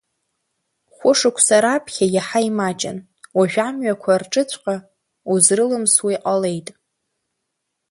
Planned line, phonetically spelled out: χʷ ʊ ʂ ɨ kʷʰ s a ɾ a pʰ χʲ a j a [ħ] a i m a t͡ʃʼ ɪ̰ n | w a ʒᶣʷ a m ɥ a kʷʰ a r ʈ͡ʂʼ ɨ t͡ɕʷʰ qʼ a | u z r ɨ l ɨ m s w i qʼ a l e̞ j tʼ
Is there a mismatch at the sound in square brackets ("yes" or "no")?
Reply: no